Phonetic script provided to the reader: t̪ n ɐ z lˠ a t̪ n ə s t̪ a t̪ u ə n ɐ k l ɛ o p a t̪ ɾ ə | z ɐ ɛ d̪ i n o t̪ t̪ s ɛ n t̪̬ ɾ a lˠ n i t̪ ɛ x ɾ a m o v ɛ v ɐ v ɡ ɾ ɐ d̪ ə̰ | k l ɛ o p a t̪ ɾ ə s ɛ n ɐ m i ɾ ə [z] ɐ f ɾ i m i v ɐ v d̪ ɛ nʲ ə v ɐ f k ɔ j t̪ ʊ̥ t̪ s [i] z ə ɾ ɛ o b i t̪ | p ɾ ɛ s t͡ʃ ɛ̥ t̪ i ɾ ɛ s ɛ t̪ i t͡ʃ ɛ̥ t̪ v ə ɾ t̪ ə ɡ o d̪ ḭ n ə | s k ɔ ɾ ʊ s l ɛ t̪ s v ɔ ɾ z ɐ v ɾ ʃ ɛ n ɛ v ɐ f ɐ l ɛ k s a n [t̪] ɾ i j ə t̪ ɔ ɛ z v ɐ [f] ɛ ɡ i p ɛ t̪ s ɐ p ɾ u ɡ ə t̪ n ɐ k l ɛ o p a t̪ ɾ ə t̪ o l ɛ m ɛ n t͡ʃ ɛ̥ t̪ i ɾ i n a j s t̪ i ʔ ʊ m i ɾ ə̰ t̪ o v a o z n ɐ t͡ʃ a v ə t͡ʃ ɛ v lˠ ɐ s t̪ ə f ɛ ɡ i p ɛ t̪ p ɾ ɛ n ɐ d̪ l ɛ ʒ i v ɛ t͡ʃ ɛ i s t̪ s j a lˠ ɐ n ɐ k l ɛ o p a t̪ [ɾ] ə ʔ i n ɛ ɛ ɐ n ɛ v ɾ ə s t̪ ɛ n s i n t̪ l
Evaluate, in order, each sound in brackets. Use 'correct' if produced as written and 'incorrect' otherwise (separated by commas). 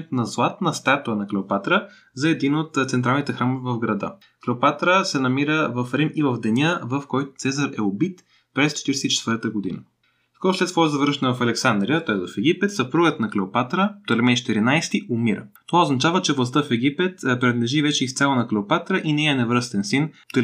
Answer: incorrect, incorrect, incorrect, correct, correct